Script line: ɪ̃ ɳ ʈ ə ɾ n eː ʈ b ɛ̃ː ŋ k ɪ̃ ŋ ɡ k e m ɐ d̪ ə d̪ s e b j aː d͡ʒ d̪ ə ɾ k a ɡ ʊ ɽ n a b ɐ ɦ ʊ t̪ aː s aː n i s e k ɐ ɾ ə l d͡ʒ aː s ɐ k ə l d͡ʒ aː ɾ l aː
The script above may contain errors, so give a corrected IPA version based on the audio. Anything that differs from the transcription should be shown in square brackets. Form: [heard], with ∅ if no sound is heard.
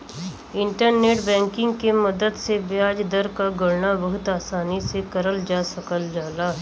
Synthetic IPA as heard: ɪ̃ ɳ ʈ ə ɾ n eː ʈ b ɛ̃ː ŋ k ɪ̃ ŋ ɡ k e m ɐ d̪ ə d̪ s e b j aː d͡ʒ d̪ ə ɾ k a ɡ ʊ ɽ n a b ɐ ɦ ʊ t̪ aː s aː n i s e k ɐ ɾ ə l d͡ʒ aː s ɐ k ə l d͡ʒ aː [∅] l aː